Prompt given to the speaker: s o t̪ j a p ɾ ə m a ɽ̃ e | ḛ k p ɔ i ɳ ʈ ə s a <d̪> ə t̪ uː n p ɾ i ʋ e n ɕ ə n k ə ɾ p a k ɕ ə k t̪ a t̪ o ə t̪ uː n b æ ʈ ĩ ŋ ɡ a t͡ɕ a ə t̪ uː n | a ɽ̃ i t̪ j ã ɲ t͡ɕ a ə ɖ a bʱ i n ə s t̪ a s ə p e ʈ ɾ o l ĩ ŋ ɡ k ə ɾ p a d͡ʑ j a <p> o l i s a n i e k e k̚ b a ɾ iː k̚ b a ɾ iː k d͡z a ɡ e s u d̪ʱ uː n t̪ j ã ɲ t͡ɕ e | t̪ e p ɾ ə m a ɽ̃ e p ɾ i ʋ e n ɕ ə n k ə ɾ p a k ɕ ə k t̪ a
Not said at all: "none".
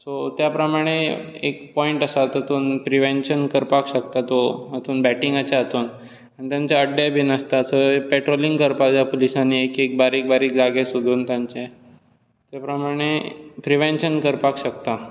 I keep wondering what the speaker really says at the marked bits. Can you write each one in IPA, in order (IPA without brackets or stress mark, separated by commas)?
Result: t̪, p